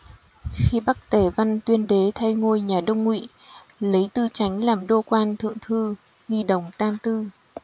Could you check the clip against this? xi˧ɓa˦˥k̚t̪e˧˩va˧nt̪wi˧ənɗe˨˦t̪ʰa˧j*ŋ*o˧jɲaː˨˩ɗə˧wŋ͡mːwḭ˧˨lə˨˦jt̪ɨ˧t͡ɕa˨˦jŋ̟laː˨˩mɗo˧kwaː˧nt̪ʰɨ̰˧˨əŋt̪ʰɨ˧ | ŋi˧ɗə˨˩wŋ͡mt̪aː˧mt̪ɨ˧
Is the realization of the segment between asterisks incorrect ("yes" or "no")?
no